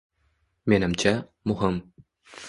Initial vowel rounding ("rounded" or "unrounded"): unrounded